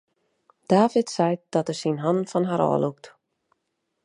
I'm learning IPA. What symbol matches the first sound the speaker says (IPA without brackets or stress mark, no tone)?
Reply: d̥